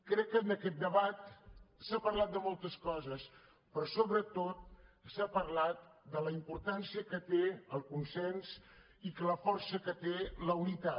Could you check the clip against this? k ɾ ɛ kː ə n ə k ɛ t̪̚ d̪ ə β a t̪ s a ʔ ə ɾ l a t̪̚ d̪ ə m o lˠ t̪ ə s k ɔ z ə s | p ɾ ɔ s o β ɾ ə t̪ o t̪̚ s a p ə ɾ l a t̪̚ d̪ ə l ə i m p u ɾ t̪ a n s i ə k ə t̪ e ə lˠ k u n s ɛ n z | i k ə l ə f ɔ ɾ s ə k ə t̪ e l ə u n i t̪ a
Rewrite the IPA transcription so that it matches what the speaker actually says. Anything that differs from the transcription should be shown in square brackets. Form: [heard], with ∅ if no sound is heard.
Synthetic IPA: k ɾ ɛ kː ə n ə k ɛ t̪̚ d̪ ə β a t̪ s a [p] ə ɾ l a t̪̚ d̪ ə m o lˠ t̪ ə s k ɔ z ə s | p ɾ ɔ s o β ɾ ə t̪ o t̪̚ s a p ə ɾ l a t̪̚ d̪ ə l ə i m p u ɾ t̪ a n s i ə k ə t̪ e ə lˠ k u n s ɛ n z | i k ə l ə f ɔ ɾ s ə k ə t̪ e l ə u n i t̪ a